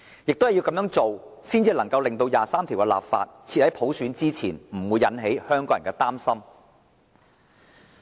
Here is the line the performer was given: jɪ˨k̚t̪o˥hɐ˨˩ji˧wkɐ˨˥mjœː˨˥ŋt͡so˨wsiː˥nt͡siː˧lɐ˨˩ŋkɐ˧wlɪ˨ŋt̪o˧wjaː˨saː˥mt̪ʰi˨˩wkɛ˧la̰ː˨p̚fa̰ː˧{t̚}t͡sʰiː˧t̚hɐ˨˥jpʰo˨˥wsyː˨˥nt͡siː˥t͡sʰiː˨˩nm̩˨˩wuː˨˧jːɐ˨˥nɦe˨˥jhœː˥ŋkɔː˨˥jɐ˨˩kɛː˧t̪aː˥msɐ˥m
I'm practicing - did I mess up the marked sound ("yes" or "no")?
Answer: no